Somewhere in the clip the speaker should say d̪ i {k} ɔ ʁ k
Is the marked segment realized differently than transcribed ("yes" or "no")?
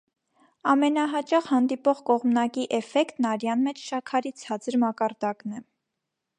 yes